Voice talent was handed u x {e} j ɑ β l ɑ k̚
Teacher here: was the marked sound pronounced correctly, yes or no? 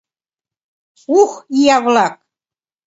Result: no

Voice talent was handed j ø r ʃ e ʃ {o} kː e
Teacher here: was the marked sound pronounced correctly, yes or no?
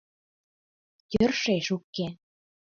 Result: no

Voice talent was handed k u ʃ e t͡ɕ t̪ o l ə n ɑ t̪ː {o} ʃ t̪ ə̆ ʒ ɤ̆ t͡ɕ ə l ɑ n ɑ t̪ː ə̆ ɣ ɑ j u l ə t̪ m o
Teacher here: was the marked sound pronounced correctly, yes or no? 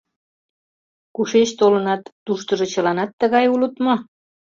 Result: no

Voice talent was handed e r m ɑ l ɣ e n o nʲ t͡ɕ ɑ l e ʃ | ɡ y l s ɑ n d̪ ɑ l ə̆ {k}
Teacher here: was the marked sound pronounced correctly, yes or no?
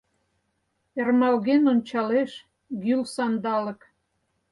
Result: yes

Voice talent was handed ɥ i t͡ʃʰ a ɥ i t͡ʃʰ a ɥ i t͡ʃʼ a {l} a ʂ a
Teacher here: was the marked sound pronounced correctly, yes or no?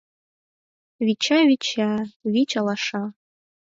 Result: yes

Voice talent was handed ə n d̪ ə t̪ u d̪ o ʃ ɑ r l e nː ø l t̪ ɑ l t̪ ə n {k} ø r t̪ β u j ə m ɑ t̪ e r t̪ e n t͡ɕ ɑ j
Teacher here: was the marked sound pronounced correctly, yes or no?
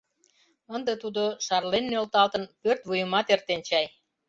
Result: no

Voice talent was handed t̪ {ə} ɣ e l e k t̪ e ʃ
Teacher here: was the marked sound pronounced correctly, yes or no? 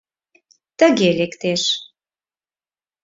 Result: yes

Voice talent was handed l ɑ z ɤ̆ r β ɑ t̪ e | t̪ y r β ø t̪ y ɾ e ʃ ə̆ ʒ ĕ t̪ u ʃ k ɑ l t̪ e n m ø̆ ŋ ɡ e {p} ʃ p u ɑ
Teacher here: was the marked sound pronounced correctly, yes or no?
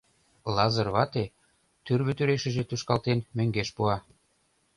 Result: no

